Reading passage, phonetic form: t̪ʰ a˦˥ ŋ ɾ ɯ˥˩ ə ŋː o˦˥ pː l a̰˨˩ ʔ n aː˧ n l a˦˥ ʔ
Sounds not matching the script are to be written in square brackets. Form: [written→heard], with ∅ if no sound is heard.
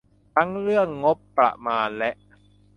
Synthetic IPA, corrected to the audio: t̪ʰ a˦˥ ŋ ɾ ɯ˥˩ ə ŋː o˦˥ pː [l→ɾ] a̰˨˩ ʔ [n→m] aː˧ n l [a˦˥→ɛ˦˥] ʔ

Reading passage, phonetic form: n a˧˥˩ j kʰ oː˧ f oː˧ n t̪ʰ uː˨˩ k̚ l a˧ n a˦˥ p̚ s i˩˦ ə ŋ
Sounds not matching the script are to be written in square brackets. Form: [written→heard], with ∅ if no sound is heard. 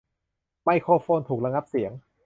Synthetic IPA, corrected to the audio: [n→m] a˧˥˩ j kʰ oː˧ f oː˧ n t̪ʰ uː˨˩ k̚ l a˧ [n→ŋ] a˦˥ p̚ s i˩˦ ə ŋ

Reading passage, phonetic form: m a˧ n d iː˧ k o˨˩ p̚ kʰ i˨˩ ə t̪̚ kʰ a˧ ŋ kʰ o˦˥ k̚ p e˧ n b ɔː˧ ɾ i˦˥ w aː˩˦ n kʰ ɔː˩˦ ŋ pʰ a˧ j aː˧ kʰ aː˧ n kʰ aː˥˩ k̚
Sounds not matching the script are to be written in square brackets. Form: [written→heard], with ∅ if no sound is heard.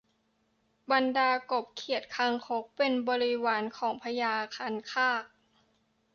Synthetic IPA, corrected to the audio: [m→b] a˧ n d [iː˧→aː˧] k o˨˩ p̚ kʰ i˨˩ ə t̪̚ kʰ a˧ ŋ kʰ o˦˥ k̚ p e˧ n b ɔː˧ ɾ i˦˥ w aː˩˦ n kʰ ɔː˩˦ ŋ pʰ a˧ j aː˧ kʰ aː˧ n kʰ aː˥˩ k̚

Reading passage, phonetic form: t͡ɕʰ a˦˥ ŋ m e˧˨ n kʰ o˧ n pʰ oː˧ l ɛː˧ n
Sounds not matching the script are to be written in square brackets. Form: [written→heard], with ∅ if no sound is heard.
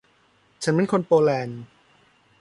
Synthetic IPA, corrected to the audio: t͡ɕʰ a˦˥ [ŋ→n] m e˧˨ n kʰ o˧ n [pʰ→p] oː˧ l ɛː˧ n

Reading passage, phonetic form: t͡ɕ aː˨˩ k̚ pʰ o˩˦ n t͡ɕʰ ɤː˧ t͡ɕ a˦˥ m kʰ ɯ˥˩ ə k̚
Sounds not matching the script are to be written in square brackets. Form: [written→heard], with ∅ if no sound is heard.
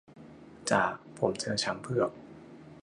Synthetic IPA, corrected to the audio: t͡ɕ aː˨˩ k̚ pʰ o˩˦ [n→m] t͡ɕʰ ɤː˧ [t͡ɕ→t͡ɕʰ] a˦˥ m [kʰ→pʰ] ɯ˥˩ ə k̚

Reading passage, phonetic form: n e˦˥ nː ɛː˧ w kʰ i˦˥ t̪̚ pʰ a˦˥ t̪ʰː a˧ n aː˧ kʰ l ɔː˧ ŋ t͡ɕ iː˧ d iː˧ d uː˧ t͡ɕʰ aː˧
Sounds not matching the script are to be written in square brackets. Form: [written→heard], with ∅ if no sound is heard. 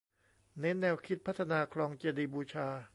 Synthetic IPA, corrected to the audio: n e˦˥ nː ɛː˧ w kʰ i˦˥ t̪̚ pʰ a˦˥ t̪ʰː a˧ n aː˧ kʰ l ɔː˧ ŋ t͡ɕ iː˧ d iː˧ [d→b] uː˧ t͡ɕʰ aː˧

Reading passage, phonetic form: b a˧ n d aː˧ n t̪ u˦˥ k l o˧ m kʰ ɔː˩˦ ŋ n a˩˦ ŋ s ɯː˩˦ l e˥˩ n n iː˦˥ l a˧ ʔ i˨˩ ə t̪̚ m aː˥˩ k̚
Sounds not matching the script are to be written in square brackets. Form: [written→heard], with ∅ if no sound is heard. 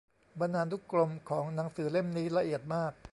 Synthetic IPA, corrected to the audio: b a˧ n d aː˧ n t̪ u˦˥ k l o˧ m kʰ ɔː˩˦ ŋ n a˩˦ ŋ s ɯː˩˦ l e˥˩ [n→m] n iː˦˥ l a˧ ʔ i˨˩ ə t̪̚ m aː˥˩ k̚

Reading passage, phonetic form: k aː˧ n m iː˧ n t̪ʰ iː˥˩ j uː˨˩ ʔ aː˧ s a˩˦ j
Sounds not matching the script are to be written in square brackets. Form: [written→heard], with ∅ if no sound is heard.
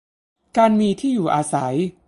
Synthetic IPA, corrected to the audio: k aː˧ n m iː˧ [n→∅] t̪ʰ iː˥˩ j uː˨˩ ʔ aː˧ s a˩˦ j

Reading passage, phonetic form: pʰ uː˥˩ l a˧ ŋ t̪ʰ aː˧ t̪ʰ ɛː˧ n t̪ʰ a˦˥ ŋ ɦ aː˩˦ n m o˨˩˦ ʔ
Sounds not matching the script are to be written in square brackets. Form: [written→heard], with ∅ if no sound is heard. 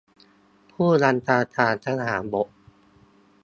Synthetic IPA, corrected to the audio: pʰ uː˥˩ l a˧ [ŋ→n] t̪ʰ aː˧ t̪ʰ [ɛː˧→aː˧] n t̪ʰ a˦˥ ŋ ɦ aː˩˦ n [m→b] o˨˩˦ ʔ

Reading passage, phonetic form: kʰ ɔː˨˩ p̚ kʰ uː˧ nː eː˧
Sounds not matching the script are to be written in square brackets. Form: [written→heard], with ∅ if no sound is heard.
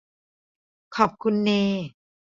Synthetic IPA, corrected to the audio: kʰ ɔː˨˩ p̚ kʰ [uː˧→u˧] nː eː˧

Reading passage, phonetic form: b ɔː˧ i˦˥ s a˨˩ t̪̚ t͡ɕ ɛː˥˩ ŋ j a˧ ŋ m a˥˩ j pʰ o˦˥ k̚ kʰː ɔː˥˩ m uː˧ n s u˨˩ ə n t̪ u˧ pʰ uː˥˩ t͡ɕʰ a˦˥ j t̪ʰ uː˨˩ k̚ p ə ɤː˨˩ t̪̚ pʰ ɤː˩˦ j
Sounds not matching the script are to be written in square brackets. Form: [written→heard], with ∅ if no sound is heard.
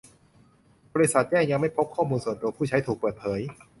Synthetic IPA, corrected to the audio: b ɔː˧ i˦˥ s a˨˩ t̪̚ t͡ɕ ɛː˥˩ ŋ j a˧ ŋ m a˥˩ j pʰ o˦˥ [k̚→p̚] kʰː ɔː˥˩ m uː˧ n s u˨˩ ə n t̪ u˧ pʰ uː˥˩ t͡ɕʰ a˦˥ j t̪ʰ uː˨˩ k̚ p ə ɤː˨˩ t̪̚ pʰ ɤː˩˦ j

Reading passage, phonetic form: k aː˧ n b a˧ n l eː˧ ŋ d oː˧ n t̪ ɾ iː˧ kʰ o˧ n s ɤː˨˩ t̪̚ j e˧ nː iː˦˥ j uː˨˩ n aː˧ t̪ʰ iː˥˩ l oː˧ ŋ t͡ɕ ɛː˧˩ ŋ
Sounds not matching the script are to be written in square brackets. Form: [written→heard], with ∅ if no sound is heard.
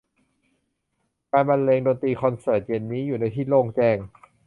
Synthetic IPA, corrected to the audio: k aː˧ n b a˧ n l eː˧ ŋ d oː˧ n t̪ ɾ iː˧ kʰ [o˧→ɔ˧] n s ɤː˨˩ t̪̚ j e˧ nː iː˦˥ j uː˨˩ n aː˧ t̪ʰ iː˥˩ l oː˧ ŋ t͡ɕ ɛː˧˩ ŋ

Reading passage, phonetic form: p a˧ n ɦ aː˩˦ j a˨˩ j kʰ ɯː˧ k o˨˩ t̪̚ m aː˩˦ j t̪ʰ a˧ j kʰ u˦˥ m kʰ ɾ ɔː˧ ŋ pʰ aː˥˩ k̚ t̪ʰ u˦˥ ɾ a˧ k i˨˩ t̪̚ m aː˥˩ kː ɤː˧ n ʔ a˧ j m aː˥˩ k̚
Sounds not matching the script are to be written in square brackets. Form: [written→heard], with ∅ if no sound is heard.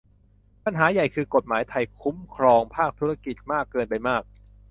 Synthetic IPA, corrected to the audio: p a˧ n ɦ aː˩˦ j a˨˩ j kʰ ɯː˧ k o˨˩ t̪̚ m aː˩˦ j t̪ʰ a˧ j kʰ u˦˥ m kʰ ɾ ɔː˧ ŋ pʰ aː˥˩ k̚ t̪ʰ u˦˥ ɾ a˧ k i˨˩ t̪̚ m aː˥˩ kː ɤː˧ n [ʔ→p] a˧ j m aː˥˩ k̚

